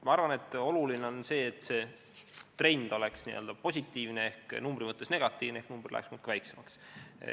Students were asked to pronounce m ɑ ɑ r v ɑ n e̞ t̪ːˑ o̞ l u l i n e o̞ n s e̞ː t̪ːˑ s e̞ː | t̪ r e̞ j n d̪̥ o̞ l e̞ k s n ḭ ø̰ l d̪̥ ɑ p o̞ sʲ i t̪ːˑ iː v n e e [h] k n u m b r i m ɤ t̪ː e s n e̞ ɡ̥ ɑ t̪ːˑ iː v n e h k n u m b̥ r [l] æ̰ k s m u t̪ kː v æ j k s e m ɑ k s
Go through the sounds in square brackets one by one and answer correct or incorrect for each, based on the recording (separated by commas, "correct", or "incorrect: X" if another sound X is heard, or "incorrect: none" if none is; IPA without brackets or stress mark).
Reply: correct, correct